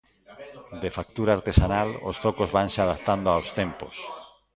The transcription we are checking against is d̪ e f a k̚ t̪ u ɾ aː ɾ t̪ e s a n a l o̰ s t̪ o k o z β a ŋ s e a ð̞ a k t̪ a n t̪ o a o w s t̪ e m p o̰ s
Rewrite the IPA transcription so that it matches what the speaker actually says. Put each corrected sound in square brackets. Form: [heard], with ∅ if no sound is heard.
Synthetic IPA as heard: d̪ e f a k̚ t̪ u ɾ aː ɾ t̪ e s a n a l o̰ s t̪ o k o z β a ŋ s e a ð̞ a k t̪ a n [d̪] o a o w s t̪ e m p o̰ s